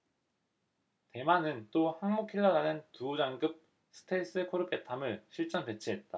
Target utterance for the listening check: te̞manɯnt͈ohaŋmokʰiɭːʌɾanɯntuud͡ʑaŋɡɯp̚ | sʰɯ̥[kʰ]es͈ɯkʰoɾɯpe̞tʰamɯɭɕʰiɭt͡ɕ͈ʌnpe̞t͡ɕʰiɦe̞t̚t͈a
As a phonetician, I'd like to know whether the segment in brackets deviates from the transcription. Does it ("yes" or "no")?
yes